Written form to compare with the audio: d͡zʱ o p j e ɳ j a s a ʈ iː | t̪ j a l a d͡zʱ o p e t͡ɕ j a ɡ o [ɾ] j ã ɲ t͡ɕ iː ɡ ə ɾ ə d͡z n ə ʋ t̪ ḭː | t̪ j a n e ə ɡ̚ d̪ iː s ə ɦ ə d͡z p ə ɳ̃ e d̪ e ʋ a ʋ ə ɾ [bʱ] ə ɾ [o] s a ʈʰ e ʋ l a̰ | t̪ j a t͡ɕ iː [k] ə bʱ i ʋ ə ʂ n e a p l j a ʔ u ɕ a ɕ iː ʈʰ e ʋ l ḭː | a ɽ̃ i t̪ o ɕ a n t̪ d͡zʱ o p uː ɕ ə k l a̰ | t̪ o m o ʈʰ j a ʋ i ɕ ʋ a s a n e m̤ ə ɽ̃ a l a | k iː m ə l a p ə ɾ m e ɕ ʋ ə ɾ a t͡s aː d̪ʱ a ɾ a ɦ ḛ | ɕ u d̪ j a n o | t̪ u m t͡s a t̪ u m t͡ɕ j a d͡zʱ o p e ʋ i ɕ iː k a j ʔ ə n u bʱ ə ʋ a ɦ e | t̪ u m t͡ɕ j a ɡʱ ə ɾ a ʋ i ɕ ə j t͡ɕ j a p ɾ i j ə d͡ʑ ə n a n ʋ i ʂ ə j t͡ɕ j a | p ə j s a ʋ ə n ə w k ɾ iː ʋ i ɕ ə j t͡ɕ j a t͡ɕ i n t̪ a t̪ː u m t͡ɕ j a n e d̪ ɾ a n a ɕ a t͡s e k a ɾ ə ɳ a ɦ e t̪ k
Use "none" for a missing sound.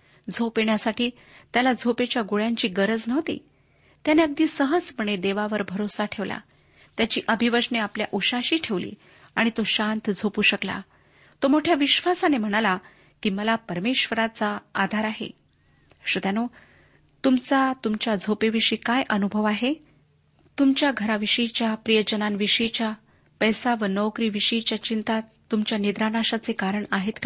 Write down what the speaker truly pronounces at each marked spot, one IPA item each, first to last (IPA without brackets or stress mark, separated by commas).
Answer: ɭ, bʱ, o, ʔ